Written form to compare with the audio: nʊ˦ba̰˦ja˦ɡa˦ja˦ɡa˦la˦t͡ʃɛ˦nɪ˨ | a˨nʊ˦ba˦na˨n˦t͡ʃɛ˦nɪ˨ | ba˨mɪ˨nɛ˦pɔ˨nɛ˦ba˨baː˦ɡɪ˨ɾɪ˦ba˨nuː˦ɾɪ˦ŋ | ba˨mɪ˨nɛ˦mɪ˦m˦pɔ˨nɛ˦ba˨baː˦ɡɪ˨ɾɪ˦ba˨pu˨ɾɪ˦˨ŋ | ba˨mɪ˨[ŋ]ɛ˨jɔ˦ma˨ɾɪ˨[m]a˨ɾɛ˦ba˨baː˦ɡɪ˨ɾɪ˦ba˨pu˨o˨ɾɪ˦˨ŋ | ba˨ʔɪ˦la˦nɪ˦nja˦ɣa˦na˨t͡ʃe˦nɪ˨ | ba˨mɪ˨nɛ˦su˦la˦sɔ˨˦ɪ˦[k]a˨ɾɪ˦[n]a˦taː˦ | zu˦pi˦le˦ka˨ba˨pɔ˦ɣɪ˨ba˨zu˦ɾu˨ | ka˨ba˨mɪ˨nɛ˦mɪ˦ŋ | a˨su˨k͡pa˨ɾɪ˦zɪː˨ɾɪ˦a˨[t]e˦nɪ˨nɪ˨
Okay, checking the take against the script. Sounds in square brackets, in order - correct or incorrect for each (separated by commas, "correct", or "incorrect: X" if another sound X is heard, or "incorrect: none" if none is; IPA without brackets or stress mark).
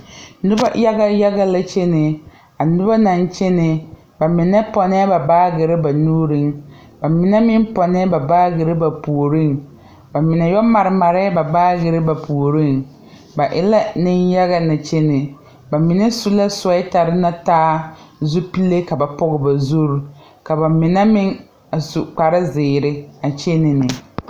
incorrect: n, correct, incorrect: t, correct, incorrect: t͡ʃ